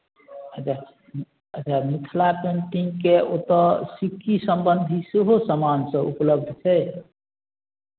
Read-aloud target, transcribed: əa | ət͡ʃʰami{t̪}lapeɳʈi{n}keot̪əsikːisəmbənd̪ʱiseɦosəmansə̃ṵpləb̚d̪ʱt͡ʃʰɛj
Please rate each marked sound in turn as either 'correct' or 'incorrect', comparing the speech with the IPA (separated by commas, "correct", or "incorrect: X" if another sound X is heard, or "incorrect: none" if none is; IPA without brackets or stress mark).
incorrect: t̪ʰ, incorrect: ŋ